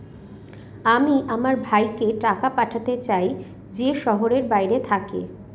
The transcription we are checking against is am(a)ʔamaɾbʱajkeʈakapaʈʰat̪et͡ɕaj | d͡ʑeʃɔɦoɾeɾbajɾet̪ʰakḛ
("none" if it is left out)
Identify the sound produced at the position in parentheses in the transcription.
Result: i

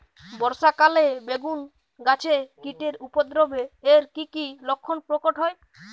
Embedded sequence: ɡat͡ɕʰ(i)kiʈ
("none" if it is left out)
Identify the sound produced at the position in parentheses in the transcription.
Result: e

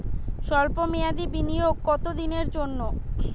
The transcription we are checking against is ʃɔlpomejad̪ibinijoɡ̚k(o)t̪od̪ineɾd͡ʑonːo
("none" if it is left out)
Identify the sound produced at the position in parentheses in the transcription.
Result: ɔ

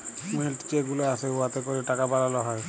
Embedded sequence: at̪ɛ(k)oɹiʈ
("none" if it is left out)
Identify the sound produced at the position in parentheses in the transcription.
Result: k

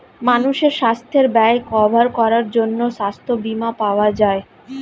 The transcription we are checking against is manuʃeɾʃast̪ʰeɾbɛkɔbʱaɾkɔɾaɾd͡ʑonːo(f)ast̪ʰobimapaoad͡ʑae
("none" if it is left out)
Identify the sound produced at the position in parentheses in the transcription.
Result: ʃ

